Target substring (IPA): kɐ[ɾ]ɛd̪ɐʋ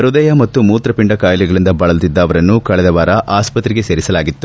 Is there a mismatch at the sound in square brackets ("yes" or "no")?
yes